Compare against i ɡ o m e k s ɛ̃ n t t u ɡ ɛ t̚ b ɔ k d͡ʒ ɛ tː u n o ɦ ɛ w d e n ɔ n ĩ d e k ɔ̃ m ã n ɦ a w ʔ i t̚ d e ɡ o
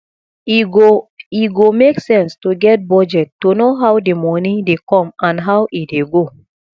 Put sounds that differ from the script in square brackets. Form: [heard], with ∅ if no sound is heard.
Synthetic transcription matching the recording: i ɡ o m e k s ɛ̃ n [s] t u ɡ ɛ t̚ b ɔ [∅] d͡ʒ ɛ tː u n o ɦ [a] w d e [m] ɔ n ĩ d e k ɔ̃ m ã n ɦ a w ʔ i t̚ d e ɡ o